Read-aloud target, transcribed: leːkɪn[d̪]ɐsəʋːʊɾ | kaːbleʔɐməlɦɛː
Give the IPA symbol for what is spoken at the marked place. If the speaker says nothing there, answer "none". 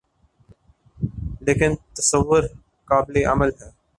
t̪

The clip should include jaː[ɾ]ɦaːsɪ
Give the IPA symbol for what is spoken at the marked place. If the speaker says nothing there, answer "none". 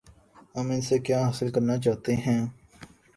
none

